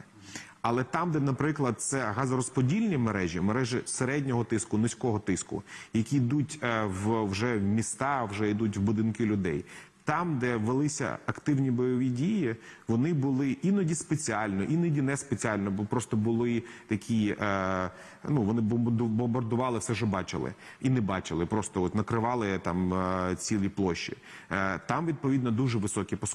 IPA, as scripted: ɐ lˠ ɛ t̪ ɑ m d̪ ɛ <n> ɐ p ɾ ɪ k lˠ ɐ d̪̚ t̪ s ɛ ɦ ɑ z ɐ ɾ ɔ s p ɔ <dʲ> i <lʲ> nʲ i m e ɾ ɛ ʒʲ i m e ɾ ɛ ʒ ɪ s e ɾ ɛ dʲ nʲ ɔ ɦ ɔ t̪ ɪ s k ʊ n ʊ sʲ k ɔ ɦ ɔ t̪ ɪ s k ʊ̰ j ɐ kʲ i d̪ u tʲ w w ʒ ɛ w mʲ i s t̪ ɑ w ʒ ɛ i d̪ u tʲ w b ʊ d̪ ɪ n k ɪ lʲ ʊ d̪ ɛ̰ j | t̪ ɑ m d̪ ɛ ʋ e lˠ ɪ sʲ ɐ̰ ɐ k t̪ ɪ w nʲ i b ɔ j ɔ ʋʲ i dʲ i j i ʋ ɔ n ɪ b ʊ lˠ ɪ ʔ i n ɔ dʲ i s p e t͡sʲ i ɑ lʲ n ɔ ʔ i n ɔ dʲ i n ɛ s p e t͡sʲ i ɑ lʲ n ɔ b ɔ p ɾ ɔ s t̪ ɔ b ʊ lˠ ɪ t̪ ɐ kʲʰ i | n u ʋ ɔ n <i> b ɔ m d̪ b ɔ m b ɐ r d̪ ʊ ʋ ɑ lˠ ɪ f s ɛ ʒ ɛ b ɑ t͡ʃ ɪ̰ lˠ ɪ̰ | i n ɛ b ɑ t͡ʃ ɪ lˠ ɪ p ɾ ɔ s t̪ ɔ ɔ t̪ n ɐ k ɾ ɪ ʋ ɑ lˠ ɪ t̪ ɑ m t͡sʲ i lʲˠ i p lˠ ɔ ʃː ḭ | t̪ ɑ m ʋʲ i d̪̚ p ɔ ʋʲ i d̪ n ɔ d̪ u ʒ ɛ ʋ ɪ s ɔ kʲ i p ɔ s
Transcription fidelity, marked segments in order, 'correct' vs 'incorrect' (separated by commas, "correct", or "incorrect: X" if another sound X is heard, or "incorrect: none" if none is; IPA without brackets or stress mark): correct, correct, correct, incorrect: ɪ